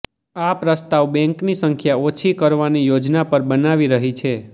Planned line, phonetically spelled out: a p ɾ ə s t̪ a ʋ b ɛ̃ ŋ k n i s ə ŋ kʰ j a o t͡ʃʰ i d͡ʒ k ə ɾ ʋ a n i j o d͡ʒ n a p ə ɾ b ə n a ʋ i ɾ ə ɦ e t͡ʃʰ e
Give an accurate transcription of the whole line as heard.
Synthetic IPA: a p ɾ ə s t̪ a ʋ b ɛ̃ ŋ k n i s ə ŋ kʰ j a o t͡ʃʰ i k ə ɾ ʋ a n i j o d͡ʒ n a p ə ɾ b ə n a ʋ i ɾ ə ɦ i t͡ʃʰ e